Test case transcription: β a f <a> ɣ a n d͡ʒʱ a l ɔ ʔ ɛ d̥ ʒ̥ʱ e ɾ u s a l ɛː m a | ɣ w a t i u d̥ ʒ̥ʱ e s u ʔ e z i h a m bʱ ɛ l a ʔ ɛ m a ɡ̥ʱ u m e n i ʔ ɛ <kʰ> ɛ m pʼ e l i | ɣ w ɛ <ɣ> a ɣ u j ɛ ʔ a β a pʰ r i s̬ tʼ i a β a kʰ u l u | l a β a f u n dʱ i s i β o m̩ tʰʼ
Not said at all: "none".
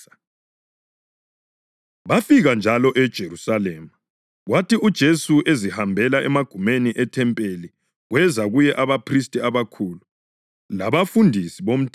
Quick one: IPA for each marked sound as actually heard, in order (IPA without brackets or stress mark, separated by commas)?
i, tʰ, z